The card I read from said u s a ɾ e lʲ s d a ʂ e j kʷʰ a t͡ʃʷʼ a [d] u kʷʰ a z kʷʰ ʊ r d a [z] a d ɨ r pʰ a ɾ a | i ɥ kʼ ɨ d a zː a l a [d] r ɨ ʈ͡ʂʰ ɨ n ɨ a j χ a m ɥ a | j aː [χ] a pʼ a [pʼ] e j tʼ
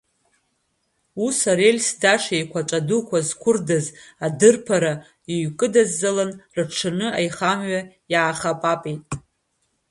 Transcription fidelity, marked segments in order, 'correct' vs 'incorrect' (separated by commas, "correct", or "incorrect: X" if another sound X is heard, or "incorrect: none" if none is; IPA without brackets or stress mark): correct, correct, incorrect: n, correct, correct